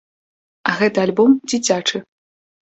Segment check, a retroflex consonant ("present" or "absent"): present